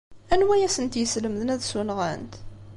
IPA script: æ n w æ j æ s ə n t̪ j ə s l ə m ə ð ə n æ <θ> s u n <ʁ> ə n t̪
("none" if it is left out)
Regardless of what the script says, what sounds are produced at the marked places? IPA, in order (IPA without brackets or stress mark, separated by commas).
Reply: ð, ʁ